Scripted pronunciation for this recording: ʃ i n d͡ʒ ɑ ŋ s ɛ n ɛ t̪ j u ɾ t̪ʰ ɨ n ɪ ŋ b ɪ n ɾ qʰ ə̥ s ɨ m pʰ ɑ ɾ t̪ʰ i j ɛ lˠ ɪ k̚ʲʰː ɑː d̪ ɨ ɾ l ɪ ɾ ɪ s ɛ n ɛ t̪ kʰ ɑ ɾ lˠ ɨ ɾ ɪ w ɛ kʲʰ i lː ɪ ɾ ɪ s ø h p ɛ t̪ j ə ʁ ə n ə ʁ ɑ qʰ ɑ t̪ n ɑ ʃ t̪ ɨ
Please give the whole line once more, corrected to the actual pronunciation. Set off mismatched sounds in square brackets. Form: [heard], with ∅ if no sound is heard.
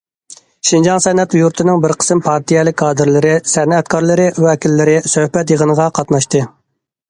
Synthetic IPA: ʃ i n d͡ʒ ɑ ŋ s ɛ n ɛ t̪ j u ɾ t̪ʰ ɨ n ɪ ŋ b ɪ [∅] ɾ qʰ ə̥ s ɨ m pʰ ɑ ɾ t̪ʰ i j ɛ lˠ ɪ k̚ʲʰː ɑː d̪ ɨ ɾ l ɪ ɾ ɪ s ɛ n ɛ t̪ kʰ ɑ ɾ lˠ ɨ ɾ ɪ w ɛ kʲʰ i lː ɪ ɾ ɪ s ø h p ɛ t̪ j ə ʁ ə n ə ʁ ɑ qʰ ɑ t̪ n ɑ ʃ t̪ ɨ